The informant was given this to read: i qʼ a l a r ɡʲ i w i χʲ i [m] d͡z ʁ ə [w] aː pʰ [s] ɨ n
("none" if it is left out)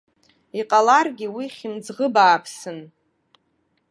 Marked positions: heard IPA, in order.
m, b, s

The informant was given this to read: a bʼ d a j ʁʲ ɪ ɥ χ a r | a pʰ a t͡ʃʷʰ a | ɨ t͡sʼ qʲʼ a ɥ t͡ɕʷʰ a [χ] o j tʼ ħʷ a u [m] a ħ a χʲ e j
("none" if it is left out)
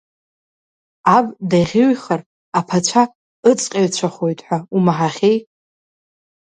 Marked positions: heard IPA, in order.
χ, m

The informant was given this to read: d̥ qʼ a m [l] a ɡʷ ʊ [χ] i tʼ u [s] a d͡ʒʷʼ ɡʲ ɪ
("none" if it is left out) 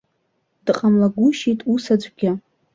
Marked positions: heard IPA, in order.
l, ʃ, s

